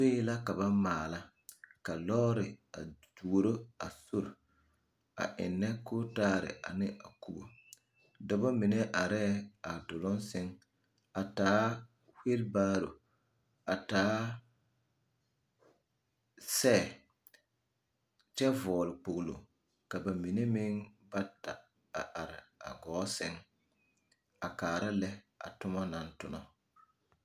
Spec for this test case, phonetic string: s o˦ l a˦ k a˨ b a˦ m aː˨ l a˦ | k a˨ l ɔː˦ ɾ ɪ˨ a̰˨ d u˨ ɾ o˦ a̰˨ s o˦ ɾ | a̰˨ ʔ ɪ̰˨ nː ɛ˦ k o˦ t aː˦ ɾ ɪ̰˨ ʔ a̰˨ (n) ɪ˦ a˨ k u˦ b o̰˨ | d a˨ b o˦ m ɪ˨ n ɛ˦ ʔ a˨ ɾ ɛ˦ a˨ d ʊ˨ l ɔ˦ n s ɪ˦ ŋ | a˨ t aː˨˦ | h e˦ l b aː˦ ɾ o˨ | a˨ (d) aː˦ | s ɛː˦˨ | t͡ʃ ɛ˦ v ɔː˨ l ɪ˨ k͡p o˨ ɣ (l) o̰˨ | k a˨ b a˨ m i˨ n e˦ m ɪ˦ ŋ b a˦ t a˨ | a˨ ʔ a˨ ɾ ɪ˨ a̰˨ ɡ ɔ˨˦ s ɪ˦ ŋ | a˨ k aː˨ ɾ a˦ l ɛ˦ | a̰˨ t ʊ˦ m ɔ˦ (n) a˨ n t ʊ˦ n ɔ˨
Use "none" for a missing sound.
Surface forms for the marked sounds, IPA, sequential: n, t, l, n

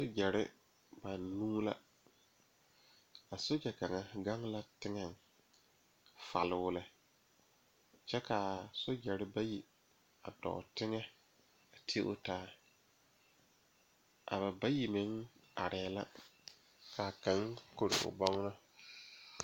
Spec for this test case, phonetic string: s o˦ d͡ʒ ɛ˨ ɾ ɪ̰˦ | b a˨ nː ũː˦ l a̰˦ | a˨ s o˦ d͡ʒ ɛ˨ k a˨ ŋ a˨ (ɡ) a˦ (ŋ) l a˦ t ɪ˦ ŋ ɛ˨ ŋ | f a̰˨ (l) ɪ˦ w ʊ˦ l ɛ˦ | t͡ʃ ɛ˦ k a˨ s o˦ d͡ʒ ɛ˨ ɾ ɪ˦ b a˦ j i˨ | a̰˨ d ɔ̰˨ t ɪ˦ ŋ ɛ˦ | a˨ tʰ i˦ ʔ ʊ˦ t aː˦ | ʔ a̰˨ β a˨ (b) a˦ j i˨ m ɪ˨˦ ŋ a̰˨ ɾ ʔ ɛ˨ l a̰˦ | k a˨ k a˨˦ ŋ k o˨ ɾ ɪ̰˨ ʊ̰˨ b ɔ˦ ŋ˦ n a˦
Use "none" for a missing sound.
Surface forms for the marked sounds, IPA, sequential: ɡ, ŋ, l, b

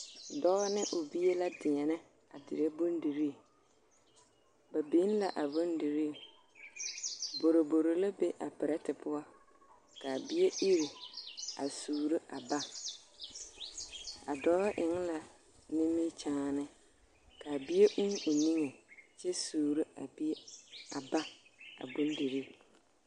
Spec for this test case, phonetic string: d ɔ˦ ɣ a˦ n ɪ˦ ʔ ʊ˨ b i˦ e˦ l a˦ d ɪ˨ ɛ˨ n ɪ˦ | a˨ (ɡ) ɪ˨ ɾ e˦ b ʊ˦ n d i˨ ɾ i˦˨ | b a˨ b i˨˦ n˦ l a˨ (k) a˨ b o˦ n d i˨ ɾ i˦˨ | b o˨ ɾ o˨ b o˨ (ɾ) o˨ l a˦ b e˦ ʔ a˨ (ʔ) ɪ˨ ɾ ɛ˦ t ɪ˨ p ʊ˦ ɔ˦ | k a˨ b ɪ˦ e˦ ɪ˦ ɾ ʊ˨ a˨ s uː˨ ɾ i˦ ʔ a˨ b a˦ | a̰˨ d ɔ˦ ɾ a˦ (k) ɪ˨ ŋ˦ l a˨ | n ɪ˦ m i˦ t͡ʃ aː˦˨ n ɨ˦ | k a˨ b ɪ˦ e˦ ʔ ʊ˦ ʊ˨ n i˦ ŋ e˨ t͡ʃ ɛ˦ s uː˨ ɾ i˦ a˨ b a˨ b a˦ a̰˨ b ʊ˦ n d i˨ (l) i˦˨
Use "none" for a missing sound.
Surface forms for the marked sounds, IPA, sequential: d, ʔ, ɾ, p, ʔ, ɾ

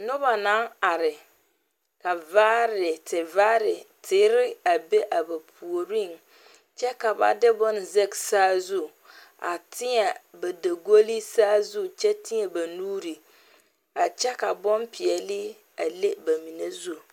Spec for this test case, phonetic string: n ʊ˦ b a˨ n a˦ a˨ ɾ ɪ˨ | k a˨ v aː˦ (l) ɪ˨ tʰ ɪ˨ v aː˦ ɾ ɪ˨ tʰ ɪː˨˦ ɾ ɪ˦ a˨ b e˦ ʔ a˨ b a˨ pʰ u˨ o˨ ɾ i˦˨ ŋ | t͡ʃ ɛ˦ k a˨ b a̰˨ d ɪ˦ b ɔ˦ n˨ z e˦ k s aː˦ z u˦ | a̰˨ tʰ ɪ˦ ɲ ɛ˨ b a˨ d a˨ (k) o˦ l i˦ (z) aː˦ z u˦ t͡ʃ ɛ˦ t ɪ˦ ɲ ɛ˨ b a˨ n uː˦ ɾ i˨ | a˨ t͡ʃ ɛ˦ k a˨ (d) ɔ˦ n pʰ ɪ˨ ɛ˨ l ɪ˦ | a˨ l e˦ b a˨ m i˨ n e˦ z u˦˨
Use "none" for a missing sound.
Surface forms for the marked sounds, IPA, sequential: ɾ, ɡ, s, b

